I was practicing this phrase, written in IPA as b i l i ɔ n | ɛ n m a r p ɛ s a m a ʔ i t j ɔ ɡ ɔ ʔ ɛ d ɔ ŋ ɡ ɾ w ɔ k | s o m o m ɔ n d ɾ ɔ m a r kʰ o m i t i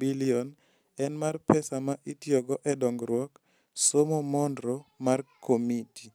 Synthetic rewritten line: b i l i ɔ n | ɛ n m a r p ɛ s a m a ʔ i t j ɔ ɡ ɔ ʔ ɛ d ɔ ŋ ɡ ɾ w ɔ k | s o m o m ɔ n d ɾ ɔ m a r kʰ o m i t i